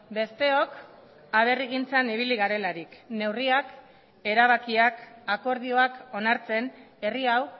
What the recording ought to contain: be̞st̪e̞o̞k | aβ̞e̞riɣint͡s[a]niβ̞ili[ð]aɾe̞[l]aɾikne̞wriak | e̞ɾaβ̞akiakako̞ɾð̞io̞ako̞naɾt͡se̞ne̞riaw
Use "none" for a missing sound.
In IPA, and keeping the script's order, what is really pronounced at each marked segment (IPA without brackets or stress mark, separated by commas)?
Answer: a, ɣ, l